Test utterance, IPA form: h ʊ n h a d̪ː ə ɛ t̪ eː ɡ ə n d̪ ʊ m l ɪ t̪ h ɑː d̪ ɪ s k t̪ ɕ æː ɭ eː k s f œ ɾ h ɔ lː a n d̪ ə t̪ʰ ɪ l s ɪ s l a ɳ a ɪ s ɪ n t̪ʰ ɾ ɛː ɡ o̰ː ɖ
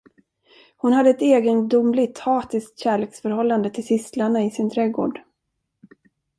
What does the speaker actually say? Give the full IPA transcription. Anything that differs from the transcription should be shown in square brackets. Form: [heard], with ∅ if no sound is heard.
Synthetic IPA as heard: h ʊ n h a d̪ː ə ɛ t̪ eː ɡ ə n d̪ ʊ m l ɪ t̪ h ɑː [t̪] ɪ s k t̪ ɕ æː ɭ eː k s f œ ɾ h ɔ lː a n d̪ ə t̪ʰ ɪ l s ɪ s l a ɳ a ɪ s ɪ n t̪ʰ ɾ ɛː ɡ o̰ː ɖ

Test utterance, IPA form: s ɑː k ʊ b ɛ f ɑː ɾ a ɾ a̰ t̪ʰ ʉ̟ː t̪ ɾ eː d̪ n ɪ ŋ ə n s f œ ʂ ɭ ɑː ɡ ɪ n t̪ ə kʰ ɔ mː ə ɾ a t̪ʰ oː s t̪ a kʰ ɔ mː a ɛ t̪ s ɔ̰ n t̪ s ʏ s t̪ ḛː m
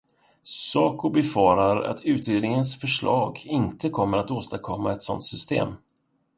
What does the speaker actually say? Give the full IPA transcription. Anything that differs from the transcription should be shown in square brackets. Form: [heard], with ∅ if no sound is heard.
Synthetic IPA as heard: s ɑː k ʊ b ɛ f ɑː ɾ a ɾ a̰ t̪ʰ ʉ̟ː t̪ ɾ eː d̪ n ɪ ŋ ə n s f œ ʂ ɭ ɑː ɡ ɪ n t̪ ə kʰ ɔ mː ə ɾ a [t̪] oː s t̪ a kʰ ɔ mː a ɛ t̪ s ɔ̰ n t̪ s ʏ s t̪ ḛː m

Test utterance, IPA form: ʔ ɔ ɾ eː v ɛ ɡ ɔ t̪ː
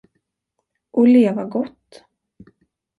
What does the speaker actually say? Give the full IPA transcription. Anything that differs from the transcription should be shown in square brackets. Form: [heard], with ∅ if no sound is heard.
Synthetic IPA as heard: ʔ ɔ [l] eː v [a] ɡ ɔ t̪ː

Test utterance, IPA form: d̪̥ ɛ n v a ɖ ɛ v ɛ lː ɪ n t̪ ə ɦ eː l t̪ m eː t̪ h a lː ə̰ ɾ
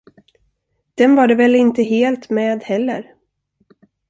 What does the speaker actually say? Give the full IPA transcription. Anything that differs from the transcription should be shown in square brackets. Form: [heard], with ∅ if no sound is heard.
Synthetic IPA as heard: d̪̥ ɛ n v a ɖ ɛ v ɛ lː ɪ n t̪ ə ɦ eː l t̪ m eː [d̪] h [ɛ] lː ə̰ ɾ

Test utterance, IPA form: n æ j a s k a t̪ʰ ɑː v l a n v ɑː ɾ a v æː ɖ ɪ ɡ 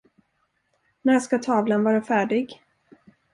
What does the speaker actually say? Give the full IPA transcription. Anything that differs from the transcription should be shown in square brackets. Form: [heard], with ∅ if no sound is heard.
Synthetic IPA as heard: n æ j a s k a t̪ʰ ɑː v l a n v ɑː ɾ a [f] æː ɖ ɪ ɡ

